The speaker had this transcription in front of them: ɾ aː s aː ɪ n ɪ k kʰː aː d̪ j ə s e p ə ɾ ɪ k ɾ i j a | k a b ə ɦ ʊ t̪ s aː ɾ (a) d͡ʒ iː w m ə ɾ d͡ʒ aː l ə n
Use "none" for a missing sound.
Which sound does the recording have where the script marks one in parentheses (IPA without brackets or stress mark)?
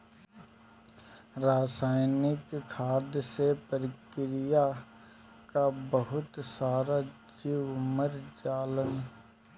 a